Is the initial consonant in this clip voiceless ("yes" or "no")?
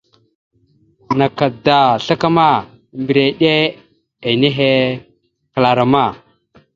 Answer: no